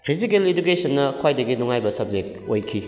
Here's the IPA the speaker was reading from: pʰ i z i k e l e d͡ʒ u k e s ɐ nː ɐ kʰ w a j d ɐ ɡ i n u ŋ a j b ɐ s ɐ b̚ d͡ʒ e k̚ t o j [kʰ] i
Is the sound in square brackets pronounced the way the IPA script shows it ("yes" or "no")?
yes